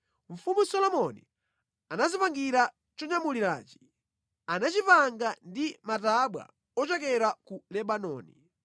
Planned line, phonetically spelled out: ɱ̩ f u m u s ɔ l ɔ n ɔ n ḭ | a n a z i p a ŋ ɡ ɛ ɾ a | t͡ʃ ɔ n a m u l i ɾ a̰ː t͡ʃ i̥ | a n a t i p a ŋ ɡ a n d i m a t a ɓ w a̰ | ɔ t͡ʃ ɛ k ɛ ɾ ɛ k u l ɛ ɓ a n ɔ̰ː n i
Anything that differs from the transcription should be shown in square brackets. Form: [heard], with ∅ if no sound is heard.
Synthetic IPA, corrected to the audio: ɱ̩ f u m u s ɔ l ɔ [m] ɔ n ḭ | a n a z i p a ŋ ɡ [i] ɾ a | t͡ʃ ɔ [ɲ] a m u l i ɾ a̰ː t͡ʃ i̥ | a n a [t͡ʃ] i p a ŋ ɡ a n d i m a t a ɓ w a̰ | ɔ t͡ʃ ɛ k ɛ ɾ [a] k u l ɛ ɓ a n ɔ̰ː n i